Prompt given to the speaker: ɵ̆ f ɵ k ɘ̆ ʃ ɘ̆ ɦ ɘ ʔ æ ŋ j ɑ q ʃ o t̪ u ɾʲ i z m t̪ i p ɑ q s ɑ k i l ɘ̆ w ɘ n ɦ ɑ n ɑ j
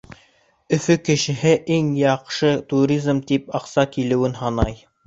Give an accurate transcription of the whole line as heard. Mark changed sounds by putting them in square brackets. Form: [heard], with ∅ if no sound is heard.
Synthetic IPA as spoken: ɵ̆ f ɵ k ɘ̆ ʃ ɘ̆ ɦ ɘ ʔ [i] ŋ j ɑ q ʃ [ɤ] t̪ u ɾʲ i z m t̪ i p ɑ q s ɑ k i l ɘ̆ w ɘ n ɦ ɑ n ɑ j